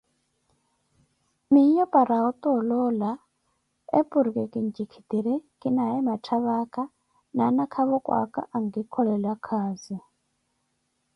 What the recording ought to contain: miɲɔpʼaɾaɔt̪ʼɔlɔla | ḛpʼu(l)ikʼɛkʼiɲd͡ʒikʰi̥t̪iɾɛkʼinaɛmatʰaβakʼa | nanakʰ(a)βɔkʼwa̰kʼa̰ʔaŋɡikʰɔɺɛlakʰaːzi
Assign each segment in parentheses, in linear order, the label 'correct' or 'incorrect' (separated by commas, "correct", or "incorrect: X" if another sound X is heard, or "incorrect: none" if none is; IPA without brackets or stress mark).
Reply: incorrect: ɾ, correct